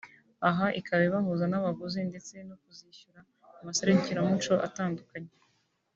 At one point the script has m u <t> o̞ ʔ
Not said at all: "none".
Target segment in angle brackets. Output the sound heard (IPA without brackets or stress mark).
t͡ʃ